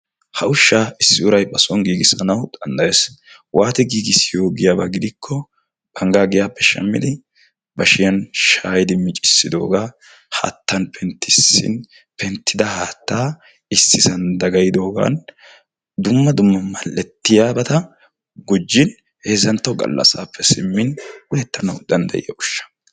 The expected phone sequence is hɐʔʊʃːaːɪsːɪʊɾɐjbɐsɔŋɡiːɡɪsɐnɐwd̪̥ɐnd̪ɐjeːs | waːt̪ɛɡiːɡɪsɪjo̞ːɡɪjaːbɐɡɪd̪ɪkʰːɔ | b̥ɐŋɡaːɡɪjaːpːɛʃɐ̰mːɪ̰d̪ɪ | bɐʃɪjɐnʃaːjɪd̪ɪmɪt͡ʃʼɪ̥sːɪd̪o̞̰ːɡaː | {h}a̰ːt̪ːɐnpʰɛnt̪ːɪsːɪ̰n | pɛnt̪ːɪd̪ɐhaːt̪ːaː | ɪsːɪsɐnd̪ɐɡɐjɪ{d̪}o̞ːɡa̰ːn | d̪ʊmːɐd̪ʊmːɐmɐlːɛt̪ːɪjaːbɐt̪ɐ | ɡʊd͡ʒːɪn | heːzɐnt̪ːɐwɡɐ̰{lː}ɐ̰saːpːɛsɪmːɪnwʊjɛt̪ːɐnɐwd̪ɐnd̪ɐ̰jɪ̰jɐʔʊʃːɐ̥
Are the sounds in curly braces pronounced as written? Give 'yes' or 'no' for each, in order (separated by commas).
yes, yes, yes